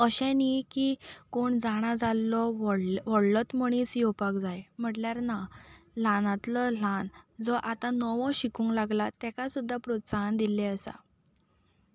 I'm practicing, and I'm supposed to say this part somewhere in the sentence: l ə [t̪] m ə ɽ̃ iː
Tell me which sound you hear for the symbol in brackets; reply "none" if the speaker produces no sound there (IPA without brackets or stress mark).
t̪